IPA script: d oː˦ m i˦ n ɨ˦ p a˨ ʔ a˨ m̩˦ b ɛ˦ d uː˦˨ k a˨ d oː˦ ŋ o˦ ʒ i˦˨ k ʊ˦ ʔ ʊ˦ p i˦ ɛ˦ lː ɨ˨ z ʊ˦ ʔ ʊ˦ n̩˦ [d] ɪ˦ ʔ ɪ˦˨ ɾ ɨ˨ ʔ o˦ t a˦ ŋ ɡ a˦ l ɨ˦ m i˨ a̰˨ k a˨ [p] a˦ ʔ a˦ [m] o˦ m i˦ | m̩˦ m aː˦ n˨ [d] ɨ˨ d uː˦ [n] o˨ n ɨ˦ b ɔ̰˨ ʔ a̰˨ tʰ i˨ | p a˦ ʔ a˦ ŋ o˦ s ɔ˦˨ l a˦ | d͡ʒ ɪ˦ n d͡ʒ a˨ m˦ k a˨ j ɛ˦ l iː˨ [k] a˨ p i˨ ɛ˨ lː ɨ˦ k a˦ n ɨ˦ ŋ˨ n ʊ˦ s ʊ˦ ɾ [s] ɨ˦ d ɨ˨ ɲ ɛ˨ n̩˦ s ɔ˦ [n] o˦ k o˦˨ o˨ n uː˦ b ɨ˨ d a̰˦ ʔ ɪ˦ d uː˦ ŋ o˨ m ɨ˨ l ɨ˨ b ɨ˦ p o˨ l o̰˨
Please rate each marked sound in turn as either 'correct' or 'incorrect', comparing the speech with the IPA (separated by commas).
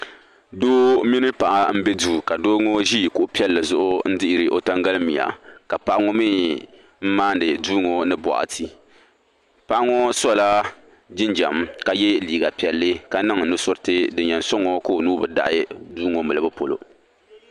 correct, correct, incorrect, correct, incorrect, incorrect, incorrect, incorrect